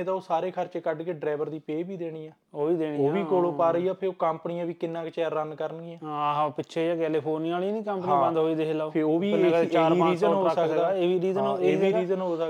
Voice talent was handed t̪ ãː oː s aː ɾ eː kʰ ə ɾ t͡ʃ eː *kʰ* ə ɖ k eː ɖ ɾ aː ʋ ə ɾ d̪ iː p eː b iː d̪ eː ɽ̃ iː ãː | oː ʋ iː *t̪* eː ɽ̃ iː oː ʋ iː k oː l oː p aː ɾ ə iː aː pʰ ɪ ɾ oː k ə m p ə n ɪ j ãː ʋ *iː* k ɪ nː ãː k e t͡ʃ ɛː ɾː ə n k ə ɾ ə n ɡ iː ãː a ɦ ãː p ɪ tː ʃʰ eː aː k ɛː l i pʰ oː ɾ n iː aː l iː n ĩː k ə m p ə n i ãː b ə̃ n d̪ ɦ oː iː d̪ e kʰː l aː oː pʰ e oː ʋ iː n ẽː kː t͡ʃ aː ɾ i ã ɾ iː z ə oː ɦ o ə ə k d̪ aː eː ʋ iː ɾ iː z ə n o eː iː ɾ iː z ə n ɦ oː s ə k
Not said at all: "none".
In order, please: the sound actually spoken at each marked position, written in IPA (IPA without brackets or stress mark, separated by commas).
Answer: k, d̪, iː